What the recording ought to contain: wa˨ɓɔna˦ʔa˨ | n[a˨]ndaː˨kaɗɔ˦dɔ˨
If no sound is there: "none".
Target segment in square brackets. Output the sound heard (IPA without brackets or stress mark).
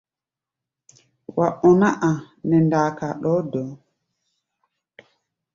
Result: ɛ˨